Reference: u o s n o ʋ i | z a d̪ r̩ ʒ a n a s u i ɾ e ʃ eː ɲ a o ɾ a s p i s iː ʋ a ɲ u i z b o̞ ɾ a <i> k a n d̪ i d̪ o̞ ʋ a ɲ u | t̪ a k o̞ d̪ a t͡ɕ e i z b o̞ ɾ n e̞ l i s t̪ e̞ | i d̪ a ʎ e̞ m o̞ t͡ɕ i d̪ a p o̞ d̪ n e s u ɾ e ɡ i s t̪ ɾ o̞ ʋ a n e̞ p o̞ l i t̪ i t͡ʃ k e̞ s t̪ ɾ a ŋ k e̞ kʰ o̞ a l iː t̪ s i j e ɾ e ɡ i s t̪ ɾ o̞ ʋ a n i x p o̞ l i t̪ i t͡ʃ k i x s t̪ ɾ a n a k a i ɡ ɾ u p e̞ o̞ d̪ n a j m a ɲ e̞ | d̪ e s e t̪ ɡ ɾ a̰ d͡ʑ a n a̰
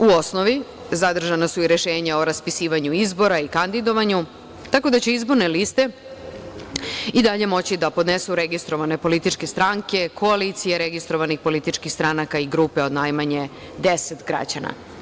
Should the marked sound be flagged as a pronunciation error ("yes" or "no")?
no